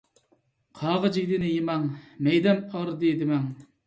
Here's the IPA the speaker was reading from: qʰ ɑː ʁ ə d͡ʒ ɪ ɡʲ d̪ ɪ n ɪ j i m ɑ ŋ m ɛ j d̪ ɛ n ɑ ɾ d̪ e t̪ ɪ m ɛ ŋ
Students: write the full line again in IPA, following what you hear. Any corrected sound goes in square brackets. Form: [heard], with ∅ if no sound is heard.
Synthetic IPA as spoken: qʰ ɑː ʁ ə d͡ʒ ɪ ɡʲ d̪ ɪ n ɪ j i m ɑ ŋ m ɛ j d̪ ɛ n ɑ ɾ d̪ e [d̪] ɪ m ɛ ŋ